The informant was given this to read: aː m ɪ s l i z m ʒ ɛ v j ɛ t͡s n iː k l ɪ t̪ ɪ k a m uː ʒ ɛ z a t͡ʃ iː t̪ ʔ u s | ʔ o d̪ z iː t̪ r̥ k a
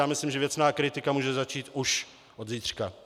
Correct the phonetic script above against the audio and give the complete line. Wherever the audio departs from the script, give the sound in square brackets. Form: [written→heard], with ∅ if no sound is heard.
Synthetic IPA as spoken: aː m ɪ s l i [z→∅] m ʒ ɛ v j ɛ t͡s n [iː→aː] k [l→ɾ] ɪ t̪ ɪ k a m uː ʒ ɛ z a t͡ʃ iː t̪ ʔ u [s→ʃ] | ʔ o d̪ z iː t̪ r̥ k a